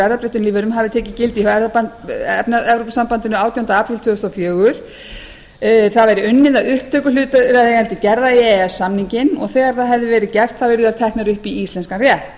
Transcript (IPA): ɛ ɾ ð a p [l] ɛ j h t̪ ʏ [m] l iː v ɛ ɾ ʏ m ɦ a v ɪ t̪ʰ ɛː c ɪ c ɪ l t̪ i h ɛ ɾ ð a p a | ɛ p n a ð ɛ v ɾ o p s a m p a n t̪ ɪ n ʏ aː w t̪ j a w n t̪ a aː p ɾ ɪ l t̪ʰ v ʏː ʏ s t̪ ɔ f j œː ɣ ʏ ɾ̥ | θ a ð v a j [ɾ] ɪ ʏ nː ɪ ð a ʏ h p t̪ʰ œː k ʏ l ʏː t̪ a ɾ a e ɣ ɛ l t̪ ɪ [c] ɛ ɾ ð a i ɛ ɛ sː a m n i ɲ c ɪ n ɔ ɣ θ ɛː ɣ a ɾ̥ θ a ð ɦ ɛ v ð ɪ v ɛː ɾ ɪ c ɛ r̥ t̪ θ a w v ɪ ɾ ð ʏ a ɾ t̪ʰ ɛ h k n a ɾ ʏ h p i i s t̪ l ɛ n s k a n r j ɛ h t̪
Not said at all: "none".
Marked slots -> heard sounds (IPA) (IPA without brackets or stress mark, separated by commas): ɾ, n, ɾ, c